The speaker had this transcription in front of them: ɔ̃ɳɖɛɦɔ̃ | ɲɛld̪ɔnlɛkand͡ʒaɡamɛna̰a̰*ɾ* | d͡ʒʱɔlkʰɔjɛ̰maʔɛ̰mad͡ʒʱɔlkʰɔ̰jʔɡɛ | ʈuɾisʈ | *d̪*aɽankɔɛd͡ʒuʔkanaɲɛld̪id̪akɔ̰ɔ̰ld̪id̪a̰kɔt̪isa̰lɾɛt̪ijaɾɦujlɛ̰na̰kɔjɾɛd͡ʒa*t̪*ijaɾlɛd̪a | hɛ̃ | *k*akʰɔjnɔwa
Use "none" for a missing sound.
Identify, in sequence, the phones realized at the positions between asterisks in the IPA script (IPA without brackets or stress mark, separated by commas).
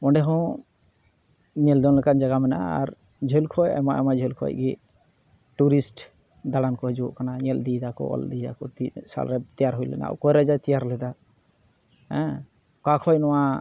ɾ, d̪, t̪, k